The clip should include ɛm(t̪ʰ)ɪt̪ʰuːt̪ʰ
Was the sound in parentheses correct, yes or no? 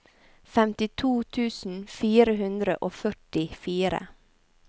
no